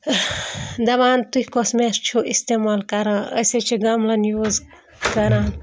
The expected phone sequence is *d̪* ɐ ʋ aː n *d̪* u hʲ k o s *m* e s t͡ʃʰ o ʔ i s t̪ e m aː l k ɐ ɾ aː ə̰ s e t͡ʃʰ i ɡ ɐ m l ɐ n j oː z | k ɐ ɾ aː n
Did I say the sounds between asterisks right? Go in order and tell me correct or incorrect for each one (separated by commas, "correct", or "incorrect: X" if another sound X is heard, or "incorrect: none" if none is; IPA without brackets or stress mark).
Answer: correct, incorrect: t̪, correct